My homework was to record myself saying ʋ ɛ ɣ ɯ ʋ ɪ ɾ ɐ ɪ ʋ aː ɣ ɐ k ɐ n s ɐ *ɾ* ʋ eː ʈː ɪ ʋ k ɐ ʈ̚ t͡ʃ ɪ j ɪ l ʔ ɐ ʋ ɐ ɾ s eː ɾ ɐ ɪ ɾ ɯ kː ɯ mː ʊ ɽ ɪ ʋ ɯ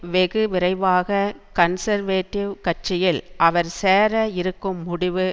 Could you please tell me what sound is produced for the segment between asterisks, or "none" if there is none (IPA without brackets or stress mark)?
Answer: ɾ